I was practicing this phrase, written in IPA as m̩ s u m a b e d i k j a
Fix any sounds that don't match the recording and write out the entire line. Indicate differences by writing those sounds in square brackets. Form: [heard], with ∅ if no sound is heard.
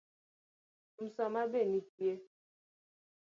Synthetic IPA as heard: m̩ s [ɔ] m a b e [n] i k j [e]